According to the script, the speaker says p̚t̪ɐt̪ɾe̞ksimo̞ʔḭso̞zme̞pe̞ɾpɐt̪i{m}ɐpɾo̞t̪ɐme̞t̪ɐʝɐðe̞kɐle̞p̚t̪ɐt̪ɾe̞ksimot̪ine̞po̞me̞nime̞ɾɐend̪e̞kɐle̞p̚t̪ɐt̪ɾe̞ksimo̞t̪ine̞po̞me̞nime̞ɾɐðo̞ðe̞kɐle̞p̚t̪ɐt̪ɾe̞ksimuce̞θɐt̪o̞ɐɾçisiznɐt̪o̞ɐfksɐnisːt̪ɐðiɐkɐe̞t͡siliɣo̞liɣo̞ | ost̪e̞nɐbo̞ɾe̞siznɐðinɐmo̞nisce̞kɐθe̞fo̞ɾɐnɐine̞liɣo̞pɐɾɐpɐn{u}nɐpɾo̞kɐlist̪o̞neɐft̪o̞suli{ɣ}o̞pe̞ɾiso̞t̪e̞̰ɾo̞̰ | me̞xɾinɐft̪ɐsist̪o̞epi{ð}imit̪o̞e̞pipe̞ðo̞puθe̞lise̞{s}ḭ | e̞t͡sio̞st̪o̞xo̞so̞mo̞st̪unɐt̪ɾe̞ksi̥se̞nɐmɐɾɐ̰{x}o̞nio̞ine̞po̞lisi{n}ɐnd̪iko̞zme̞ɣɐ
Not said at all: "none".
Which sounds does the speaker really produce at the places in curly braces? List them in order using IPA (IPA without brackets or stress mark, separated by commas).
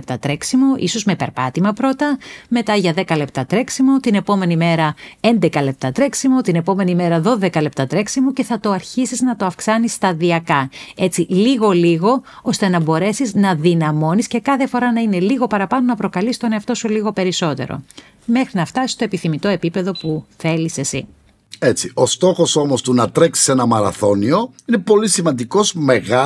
m, o, ɣ, θ, s, θ, m